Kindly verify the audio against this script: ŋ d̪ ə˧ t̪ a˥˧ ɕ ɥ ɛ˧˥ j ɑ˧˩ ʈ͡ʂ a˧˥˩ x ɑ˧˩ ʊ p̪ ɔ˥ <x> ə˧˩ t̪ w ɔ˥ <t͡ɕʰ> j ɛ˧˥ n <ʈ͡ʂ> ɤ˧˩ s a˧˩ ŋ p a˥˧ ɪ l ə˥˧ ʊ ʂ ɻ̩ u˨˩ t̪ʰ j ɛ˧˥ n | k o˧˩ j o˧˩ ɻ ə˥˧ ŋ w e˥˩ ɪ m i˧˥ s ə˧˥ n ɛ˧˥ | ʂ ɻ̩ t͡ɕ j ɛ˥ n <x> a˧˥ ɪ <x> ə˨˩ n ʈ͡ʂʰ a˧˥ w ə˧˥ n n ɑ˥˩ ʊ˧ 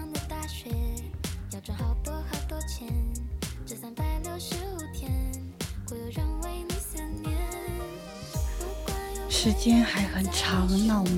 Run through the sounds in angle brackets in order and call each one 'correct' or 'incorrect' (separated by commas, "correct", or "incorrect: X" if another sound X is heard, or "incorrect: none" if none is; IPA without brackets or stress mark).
correct, correct, correct, correct, correct